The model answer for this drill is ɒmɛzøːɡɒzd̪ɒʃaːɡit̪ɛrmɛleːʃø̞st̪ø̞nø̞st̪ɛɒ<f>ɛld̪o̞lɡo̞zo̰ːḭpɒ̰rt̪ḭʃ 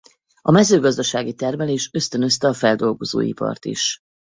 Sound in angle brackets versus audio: correct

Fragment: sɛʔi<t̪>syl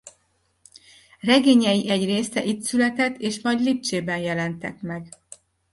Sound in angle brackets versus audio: correct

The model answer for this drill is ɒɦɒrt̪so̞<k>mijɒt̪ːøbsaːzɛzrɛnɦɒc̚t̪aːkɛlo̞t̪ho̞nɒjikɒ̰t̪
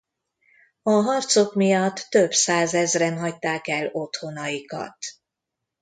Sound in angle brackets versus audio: correct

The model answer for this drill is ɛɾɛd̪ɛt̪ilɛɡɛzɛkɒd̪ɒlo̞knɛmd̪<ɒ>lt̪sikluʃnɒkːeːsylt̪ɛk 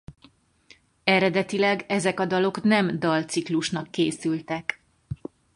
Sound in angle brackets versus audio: correct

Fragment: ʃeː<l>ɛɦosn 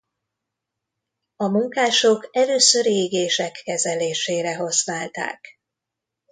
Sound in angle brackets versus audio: incorrect: ɾ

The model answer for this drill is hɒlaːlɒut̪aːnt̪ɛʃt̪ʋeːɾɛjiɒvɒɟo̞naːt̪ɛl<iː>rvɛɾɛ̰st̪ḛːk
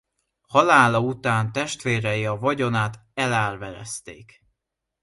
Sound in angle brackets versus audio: incorrect: aː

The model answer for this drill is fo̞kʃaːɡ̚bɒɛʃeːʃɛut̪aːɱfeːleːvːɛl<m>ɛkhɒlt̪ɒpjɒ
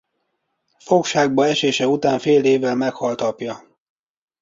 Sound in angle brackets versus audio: correct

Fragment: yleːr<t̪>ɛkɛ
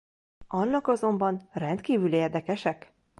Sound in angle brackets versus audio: incorrect: d̪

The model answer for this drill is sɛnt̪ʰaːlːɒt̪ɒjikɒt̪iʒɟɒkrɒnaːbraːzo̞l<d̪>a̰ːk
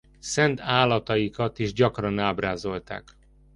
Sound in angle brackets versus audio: incorrect: t̪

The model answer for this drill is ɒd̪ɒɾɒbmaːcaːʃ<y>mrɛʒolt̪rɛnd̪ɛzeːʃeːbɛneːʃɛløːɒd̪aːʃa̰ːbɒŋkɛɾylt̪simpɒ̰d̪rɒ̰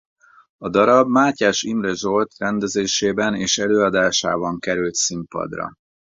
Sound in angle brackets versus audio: incorrect: i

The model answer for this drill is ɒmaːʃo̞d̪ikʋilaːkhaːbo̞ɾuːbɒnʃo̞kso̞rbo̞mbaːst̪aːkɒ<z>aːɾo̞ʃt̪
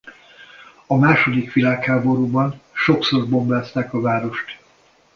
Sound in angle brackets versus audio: incorrect: v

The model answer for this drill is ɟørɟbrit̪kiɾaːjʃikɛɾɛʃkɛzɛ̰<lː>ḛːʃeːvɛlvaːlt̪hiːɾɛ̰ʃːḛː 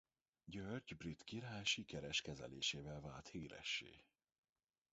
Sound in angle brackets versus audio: incorrect: l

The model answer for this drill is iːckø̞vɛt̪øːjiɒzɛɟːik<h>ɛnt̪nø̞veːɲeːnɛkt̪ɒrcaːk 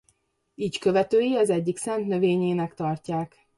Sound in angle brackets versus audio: incorrect: s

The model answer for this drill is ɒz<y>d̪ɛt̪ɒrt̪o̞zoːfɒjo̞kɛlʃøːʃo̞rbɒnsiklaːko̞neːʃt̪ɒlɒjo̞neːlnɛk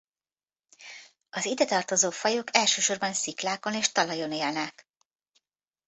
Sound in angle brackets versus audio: incorrect: i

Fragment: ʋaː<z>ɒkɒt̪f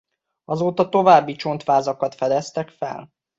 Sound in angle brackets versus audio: correct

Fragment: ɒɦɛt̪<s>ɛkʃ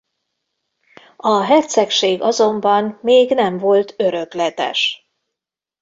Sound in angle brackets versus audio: correct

